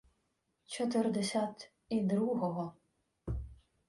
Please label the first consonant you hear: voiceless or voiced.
voiceless